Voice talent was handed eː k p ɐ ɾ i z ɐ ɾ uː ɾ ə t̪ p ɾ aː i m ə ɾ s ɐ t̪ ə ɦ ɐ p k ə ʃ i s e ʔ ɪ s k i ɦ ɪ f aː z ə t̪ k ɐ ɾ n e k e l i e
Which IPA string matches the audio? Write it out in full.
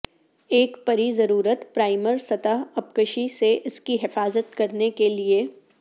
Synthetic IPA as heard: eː k p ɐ ɾ i z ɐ ɾ uː ɾ ə t̪ p ɾ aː ɪ m ə ɾ s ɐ t̪ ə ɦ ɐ p k ə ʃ i s e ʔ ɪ s k i ɦ ɪ f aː z ə t̪ k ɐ ɾ n e k e l i e